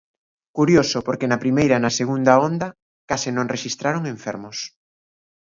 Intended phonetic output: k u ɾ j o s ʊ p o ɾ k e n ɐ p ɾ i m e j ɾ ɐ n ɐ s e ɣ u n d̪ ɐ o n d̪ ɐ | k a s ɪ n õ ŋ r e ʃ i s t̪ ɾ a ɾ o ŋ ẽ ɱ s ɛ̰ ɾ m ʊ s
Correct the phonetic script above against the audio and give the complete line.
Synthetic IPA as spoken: k u ɾ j o s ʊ p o ɾ k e n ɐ p ɾ i m e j ɾ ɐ n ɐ s e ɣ u n d̪ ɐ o n d̪ ɐ | k a s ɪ n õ ŋ r e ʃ i s t̪ ɾ a ɾ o ŋ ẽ ɱ f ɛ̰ ɾ m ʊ s